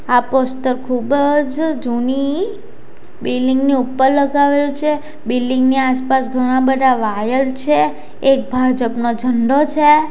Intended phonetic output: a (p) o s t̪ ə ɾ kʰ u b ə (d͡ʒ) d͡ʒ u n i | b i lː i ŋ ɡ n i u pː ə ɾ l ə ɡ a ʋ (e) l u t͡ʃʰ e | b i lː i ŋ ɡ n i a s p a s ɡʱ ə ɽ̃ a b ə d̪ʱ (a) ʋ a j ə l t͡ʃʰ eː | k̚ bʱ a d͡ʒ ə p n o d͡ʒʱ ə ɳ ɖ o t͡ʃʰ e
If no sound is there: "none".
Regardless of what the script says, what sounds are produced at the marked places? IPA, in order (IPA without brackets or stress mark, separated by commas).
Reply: p, d͡ʒ, e, a